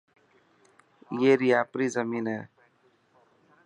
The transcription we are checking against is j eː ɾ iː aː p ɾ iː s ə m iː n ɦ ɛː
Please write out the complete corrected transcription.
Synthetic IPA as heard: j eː ɾ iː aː p ɾ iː z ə m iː n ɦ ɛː